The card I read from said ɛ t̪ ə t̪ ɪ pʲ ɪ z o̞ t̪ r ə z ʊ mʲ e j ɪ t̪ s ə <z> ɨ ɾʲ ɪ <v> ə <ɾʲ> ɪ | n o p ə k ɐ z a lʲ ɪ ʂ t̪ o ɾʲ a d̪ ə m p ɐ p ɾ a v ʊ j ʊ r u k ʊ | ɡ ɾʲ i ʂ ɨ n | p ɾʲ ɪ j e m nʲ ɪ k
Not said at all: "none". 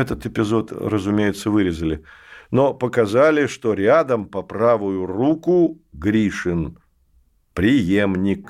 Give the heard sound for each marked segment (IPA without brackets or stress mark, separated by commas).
v, z, lʲ